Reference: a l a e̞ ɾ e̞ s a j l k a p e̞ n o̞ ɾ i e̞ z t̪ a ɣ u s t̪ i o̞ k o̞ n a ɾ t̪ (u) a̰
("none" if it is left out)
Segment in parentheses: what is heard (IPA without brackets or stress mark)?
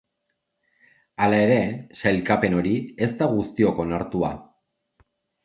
u